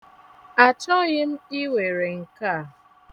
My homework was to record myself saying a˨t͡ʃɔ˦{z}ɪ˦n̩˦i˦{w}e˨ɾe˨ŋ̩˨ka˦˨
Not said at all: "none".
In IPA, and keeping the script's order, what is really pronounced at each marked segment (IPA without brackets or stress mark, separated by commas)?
ɣ, w